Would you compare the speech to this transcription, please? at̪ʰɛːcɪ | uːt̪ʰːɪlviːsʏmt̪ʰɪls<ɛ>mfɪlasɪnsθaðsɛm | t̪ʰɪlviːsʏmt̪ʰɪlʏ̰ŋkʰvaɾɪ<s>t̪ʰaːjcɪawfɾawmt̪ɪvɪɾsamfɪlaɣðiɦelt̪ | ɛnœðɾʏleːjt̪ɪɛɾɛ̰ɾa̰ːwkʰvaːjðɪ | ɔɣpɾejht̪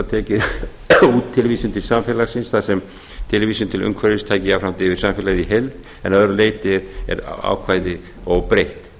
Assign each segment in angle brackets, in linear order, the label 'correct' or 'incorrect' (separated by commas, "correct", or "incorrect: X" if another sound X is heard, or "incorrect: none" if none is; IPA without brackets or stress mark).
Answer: incorrect: a, correct